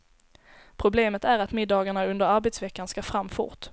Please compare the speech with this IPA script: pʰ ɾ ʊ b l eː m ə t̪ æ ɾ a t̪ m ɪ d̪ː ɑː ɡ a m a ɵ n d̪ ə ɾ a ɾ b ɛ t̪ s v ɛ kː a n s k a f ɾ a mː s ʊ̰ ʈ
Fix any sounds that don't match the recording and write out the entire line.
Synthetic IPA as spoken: pʰ ɾ ʊ b l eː m ə t̪ æ ɾ a t̪ m ɪ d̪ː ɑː ɡ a ɳ a ɵ n d̪ ə ɾ a ɾ b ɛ t̪ s v ɛ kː a n s k a f ɾ a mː f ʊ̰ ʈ